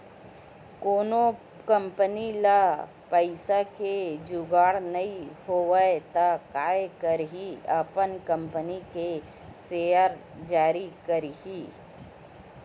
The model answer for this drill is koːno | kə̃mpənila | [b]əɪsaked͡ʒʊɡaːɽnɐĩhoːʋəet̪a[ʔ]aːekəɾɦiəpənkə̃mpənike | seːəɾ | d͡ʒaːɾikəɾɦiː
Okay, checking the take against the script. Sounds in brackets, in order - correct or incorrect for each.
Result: incorrect: p, incorrect: k

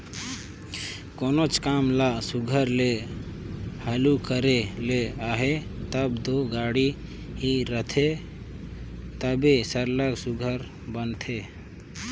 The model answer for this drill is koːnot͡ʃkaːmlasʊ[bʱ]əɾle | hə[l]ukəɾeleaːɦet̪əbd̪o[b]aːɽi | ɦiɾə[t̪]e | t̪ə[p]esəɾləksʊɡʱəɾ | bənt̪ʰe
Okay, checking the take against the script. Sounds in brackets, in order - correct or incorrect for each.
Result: incorrect: ɡʱ, correct, incorrect: ɡ, incorrect: t̪ʰ, incorrect: b

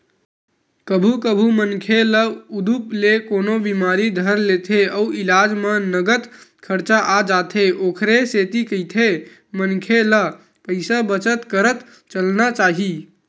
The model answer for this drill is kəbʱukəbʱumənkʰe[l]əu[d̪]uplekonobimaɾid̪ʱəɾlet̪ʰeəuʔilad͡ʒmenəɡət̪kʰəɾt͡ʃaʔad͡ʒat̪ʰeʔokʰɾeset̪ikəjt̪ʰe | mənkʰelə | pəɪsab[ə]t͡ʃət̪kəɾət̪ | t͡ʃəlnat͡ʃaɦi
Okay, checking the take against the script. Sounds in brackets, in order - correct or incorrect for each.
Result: correct, correct, correct

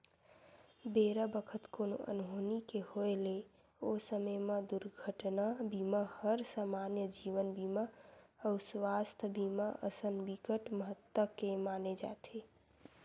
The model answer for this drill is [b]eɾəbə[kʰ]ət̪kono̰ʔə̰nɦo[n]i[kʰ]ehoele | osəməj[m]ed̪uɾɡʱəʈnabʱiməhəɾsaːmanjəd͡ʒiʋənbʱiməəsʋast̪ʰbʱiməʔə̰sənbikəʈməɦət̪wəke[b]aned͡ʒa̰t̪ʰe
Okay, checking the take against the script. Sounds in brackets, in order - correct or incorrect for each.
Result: correct, correct, correct, incorrect: k, correct, incorrect: m

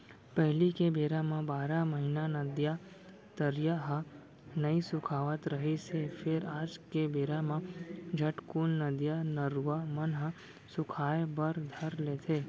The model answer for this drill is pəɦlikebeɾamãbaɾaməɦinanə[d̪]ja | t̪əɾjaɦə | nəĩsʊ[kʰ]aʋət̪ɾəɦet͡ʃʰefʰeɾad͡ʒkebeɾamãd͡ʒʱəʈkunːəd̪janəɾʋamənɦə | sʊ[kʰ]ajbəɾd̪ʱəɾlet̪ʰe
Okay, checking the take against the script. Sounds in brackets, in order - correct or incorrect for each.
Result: correct, correct, correct

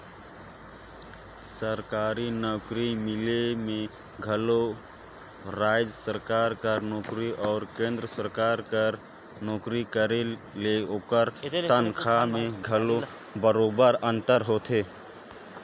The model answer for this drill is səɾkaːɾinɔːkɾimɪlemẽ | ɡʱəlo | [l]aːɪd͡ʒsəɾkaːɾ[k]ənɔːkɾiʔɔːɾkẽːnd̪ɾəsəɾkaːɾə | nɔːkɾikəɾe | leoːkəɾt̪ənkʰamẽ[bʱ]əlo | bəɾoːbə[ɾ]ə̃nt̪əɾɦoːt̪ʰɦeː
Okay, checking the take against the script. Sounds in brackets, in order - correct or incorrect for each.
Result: incorrect: ɾ, correct, incorrect: ɡʱ, correct

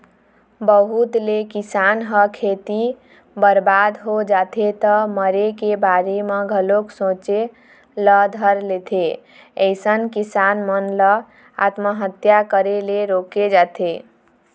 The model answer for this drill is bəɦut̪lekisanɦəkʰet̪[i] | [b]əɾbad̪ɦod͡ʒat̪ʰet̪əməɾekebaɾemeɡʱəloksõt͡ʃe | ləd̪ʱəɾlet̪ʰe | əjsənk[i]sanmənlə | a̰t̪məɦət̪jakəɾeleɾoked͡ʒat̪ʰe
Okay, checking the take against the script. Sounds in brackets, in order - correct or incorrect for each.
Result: correct, correct, correct

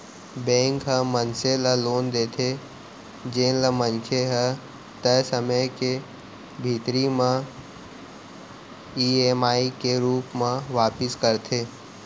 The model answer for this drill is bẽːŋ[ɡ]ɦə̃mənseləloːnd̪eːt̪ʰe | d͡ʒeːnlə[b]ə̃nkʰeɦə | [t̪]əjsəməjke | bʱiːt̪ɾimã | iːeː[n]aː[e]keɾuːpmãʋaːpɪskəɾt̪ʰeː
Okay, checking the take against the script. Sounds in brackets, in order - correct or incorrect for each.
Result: incorrect: k, incorrect: m, correct, incorrect: m, incorrect: i

